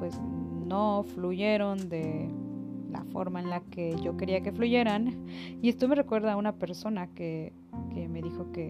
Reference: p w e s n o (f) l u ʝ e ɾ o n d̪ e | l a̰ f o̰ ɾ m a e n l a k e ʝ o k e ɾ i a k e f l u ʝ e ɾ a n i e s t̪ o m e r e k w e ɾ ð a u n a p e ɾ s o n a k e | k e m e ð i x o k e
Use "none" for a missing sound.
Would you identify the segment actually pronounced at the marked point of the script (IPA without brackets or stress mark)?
f